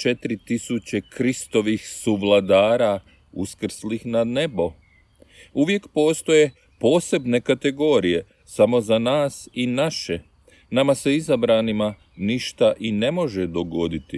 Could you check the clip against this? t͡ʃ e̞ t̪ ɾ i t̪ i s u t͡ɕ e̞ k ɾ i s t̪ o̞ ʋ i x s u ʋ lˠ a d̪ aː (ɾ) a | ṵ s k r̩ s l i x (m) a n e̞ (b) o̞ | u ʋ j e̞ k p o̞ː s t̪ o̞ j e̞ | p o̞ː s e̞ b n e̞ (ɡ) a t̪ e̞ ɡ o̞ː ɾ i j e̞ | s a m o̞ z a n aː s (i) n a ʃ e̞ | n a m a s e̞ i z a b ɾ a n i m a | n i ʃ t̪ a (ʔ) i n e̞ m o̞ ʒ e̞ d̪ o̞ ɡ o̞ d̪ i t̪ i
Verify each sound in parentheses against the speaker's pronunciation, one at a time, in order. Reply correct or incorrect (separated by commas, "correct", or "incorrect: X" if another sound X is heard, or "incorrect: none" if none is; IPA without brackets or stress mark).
correct, incorrect: n, correct, incorrect: k, correct, correct